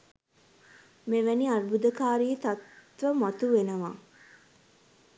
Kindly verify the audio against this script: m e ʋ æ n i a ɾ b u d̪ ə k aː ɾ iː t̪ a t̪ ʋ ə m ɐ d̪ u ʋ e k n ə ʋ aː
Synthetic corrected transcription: m e ʋ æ n i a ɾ b u d̪ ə k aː ɾ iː t̪ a t̪ ʋ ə m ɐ t̪ u ʋ e n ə ʋ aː